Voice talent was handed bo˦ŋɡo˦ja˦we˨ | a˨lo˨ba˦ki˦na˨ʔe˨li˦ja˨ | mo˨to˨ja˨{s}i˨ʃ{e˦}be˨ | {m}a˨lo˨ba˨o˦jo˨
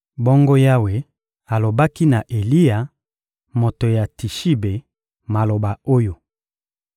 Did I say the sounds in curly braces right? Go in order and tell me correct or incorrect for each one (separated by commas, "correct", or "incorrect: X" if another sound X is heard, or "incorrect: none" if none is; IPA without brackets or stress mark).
incorrect: t, incorrect: i˦, correct